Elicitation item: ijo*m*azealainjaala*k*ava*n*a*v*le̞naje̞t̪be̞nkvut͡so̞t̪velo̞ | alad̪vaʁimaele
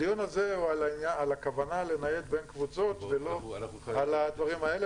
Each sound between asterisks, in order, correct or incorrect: incorrect: n, correct, correct, incorrect: none

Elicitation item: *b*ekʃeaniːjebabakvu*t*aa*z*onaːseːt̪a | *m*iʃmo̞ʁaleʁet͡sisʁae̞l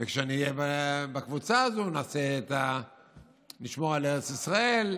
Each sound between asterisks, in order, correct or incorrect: incorrect: v, incorrect: t͡s, correct, incorrect: n

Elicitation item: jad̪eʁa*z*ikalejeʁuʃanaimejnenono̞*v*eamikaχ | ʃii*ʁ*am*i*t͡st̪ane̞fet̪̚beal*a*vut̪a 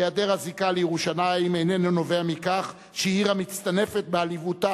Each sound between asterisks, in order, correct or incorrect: correct, correct, correct, correct, incorrect: i

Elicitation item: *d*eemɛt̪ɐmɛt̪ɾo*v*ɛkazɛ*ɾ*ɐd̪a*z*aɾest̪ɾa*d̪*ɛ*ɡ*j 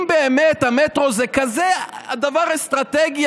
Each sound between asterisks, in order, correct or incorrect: incorrect: b, incorrect: z, incorrect: none, incorrect: v, incorrect: t̪, correct

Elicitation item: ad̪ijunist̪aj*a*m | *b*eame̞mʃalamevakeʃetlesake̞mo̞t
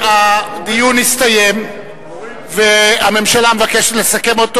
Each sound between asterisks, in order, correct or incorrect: incorrect: e, incorrect: v

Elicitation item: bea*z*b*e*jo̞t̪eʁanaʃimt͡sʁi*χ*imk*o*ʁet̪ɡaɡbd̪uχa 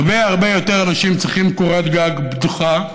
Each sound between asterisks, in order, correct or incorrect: incorrect: ʁ, correct, correct, correct

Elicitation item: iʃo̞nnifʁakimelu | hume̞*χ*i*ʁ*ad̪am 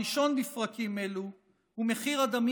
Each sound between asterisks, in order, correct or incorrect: correct, correct

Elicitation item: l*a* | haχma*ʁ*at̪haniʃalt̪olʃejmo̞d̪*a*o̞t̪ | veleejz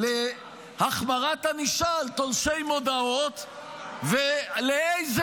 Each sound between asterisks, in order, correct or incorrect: incorrect: e, correct, correct

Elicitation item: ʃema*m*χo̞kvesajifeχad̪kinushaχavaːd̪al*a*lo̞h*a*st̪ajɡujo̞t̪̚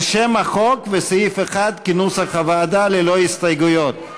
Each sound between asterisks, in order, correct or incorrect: incorrect: none, incorrect: e, incorrect: i

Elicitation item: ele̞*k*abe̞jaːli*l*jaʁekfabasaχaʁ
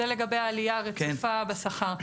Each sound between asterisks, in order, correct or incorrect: incorrect: ɡ, incorrect: none

